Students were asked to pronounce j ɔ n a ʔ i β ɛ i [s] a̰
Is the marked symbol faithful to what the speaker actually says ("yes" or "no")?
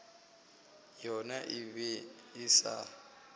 yes